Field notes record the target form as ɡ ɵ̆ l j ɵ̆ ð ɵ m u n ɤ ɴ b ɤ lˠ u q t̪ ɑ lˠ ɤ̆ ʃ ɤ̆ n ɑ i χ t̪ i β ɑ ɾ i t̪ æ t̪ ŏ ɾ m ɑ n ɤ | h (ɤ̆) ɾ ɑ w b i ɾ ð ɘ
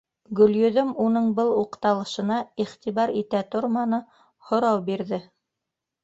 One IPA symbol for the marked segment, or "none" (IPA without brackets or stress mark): ŏ